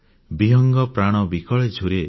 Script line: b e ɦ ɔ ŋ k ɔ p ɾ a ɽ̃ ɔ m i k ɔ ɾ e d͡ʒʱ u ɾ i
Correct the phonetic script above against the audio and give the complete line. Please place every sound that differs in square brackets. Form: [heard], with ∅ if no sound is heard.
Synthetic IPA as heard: b [i] ɦ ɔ ŋ [ɡ] ɔ p ɾ a ɽ̃ ɔ [b] i k ɔ [ɭ] e d͡ʒʱ u ɾ [e]